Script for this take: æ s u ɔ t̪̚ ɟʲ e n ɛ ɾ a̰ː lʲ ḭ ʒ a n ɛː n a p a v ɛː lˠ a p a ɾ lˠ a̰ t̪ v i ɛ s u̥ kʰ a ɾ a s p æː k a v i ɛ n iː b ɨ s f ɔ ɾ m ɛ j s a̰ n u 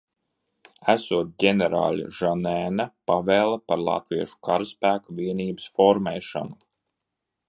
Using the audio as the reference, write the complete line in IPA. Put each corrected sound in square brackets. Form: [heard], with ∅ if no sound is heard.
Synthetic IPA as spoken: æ s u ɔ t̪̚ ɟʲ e n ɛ ɾ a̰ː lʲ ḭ ʒ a n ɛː n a p a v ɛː lˠ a p a ɾ lˠ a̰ t̪ v i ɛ [ʃ] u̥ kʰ a ɾ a s p æː k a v i ɛ n iː b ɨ s f ɔ ɾ m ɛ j [ʃ] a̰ n u